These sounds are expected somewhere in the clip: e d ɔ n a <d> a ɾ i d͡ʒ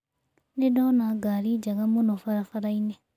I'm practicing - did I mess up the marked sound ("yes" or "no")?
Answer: yes